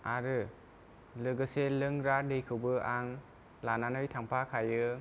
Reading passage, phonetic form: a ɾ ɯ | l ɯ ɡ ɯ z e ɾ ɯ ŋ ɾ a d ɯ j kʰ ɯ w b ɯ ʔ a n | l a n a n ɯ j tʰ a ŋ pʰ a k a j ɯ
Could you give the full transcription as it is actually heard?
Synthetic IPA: a ɾ ɯ | l ɯ ɡ ɯ s e l ɯ ŋ ɾ a d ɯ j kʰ ɯ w b ɯ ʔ a ŋ | l a n a n ɯ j tʰ a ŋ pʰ a kʰ a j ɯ